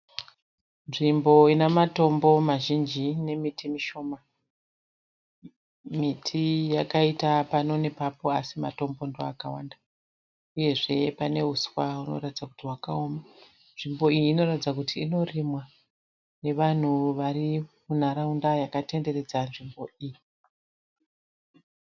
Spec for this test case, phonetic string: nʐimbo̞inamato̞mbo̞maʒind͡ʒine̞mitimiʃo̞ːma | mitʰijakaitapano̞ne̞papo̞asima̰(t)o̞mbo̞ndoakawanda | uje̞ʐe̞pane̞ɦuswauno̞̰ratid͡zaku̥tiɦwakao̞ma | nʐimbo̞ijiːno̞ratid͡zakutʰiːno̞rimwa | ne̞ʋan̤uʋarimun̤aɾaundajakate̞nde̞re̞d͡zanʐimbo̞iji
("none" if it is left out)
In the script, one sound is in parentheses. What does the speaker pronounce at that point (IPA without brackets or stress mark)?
t